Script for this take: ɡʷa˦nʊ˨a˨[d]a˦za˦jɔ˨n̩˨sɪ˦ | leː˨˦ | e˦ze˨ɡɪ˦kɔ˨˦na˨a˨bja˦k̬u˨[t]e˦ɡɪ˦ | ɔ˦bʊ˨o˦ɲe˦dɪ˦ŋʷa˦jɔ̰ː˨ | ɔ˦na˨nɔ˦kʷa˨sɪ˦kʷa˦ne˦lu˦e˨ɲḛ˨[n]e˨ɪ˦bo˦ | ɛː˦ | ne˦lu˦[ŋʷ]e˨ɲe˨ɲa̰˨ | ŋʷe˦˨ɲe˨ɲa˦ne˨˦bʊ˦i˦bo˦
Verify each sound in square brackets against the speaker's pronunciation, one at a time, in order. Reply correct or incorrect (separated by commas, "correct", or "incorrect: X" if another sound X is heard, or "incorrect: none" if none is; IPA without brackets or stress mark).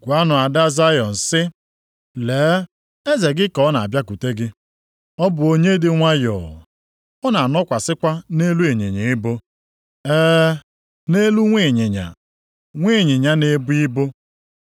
correct, correct, incorrect: ɲ, correct